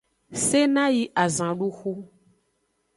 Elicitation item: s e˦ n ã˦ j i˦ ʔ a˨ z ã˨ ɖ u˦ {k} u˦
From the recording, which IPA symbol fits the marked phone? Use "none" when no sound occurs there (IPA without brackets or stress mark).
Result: x